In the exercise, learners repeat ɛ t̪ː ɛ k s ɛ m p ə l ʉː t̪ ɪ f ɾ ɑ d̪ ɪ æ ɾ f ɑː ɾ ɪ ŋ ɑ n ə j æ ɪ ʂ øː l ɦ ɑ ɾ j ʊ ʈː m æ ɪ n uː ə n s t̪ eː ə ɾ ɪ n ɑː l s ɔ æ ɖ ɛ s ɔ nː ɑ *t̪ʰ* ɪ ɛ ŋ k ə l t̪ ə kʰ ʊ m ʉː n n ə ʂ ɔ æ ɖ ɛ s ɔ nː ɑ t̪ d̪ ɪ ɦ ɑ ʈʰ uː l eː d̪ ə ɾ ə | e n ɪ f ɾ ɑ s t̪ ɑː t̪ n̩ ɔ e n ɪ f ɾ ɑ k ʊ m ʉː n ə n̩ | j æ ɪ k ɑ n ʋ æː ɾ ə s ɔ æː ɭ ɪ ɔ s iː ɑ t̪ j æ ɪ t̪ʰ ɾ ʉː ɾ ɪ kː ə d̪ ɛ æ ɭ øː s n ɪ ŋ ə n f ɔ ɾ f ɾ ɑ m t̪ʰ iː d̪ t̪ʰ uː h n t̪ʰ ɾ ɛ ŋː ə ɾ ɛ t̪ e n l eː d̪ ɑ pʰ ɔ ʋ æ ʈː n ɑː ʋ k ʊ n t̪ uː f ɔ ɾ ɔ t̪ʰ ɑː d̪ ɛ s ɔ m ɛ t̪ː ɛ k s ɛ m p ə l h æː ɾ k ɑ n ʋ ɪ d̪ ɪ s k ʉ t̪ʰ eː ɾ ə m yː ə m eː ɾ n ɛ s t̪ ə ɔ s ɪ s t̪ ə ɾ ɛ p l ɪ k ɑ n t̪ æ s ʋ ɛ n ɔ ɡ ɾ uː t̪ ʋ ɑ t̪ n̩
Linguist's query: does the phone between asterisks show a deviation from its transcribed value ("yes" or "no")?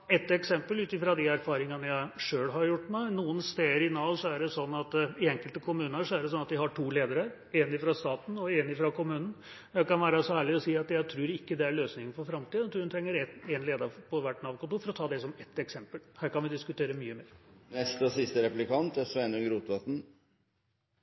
yes